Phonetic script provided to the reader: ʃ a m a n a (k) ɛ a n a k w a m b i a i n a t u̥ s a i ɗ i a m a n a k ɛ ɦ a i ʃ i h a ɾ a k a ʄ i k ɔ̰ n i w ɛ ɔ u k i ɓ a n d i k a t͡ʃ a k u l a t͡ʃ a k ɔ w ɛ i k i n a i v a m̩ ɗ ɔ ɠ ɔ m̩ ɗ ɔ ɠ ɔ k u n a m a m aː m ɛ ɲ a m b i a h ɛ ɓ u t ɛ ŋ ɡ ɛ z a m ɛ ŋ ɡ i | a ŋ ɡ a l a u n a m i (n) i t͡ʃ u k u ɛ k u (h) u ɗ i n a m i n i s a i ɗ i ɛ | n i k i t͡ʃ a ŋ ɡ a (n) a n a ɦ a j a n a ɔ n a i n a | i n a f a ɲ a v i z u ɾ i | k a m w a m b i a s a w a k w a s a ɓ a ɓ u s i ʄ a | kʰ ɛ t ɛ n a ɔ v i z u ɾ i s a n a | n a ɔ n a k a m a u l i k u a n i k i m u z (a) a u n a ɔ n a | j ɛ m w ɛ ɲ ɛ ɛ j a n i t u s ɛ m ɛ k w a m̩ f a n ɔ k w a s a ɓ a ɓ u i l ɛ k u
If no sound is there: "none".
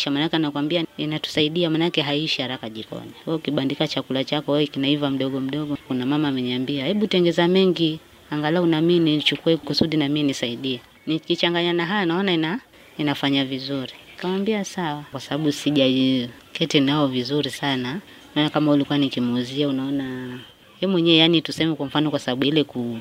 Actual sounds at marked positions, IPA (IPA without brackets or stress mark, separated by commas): k, n, s, ɲ, i